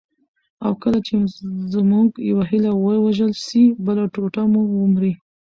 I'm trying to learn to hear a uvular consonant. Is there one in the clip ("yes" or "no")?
no